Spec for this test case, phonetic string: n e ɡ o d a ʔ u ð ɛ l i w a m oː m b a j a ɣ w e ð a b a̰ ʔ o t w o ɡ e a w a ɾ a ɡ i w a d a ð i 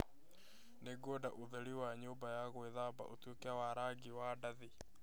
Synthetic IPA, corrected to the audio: n e ɡ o d a ʔ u ð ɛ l i w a ɲ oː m b a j a ɣ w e ð a b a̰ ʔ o t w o k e a w a ɾ a ɡ i w a d a ð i

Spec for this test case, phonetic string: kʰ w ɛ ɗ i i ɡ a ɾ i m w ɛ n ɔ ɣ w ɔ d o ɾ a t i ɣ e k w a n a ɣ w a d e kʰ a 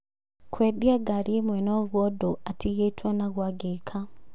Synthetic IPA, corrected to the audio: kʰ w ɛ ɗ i a ɡ a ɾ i m w ɛ n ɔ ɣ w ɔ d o a t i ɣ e t w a n a ɣ w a ɡ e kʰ a

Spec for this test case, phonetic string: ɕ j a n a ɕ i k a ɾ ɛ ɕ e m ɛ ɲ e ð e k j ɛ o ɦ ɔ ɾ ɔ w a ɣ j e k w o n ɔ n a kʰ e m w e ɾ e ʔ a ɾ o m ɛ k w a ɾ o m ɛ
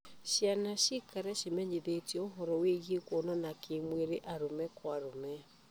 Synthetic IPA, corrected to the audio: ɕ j a n a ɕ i k a ɾ ɛ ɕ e m ɛ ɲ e ð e t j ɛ o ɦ ɔ ɾ ɔ w e ɣ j e k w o n ɔ n a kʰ e m w e ɾ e ʔ a ɾ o m ɛ k w a ɾ o m ɛ

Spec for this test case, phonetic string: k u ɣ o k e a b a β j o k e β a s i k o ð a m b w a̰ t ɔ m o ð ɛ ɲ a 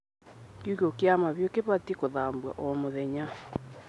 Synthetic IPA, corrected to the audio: k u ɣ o k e a m a β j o k e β a t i k o ð a m b w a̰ ʔ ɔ m o ð ɛ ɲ a

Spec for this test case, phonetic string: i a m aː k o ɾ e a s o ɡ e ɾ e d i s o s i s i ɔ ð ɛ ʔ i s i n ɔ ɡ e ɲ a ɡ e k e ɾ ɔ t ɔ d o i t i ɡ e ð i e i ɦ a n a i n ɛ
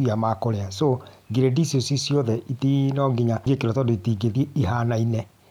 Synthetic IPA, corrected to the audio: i a m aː k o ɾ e a s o ɡ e ɾ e d i s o s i s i ɔ ð ɛ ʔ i t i n ɔ ɡ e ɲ a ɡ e k e ɾ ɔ t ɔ d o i t i ɡ e ð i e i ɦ a n a i n ɛ

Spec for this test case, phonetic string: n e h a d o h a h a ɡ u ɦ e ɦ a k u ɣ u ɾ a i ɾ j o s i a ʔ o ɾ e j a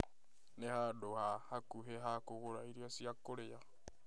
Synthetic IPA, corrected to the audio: n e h a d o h a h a k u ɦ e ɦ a k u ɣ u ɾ a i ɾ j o s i a k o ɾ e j a

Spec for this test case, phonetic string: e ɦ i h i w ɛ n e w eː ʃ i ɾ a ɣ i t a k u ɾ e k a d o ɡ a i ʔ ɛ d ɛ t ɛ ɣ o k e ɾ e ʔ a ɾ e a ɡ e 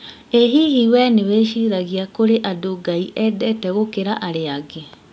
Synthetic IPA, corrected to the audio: e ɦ i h i w ɛ n e w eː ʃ i ɾ a ɣ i a k o ɾ e ʔ a d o ɡ a i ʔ ɛ d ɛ t ɛ ɣ o k e ɾ a ʔ a ɾ e a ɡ e

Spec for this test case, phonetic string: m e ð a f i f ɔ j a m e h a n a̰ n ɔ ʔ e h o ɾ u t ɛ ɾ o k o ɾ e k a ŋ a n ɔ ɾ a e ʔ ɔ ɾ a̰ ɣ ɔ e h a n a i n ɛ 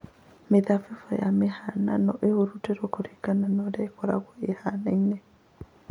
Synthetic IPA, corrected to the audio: m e ð a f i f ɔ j a m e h a n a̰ n ɔ ʔ e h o ɾ u t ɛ ɾ o k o ɾ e k a n a n ɔ ɾ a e k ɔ ɾ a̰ ɣ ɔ e h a n a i n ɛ

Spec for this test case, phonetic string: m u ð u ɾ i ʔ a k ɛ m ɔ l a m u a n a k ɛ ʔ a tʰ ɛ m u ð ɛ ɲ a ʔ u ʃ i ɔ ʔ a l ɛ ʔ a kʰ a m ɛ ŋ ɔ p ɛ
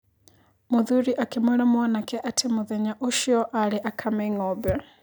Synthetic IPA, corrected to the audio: m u ð u ɾ i ʔ a k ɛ m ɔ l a m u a n a k ɛ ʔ a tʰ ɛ m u ð ɛ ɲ a ʔ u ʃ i ɔ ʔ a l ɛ ʔ a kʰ a m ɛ ŋ ɔ b ɛ

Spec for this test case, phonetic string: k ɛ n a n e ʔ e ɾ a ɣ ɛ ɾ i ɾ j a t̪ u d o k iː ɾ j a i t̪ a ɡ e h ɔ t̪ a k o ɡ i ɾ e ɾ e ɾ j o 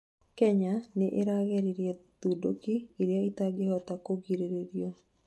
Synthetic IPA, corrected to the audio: k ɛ ɲ a n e ʔ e ɾ a ɣ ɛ ɾ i ɾ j ɛ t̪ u d o k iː ɾ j a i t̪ a ɡ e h ɔ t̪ a k o ɡ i ɾ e ɾ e ɾ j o

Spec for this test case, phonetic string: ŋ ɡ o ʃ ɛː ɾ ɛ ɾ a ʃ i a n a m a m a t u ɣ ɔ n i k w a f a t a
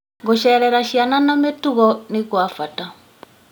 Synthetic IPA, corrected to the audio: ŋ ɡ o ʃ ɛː ɾ ɛ ɾ a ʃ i a n a n a m e t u ɣ ɔ n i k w a f a t a

